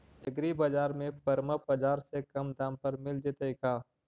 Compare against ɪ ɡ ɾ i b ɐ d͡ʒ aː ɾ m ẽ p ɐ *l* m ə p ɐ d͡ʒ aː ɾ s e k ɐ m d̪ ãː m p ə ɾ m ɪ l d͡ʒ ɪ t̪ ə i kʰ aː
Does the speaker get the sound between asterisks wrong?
yes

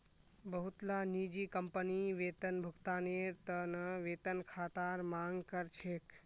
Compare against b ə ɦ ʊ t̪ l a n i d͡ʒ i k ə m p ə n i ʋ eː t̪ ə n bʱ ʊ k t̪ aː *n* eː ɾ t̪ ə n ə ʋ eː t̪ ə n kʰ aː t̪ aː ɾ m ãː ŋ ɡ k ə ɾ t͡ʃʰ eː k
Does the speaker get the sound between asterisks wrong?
no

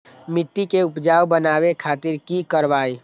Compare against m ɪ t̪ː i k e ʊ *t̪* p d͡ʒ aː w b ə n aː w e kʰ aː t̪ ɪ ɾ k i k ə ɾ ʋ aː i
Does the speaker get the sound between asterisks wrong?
yes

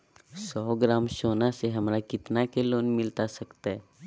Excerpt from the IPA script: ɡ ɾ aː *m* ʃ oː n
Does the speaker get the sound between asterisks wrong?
no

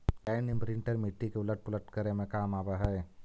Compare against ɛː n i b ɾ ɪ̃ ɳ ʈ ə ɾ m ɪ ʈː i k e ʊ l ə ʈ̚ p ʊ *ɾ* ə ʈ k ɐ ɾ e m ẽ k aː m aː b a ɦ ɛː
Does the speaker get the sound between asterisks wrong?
yes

